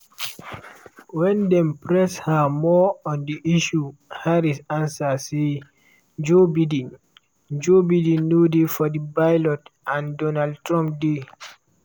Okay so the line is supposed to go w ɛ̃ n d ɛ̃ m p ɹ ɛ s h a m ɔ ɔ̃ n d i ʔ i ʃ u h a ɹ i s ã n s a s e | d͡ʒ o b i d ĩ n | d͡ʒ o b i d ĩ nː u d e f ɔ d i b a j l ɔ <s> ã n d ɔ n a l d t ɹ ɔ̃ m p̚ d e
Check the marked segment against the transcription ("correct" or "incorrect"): incorrect